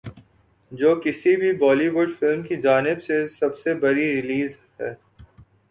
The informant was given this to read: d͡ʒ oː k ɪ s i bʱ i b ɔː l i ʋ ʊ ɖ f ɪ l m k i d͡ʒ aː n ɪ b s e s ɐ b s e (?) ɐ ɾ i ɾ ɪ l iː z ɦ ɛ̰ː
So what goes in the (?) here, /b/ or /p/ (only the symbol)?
b